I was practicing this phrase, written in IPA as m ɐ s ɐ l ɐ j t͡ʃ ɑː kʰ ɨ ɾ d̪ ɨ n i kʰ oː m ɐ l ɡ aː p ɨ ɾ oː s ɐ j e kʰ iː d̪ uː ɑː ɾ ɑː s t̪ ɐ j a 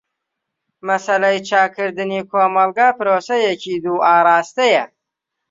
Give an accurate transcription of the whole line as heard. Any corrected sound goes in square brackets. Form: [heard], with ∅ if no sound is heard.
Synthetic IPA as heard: m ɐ s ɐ l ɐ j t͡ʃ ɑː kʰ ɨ ɾ d̪ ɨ n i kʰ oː m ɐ l ɡ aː p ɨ ɾ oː s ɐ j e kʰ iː d̪ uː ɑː ɾ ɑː s t̪ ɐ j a